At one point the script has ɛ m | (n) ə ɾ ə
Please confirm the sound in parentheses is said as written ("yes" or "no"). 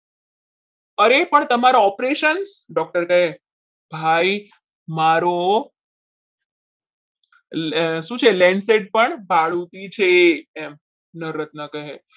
yes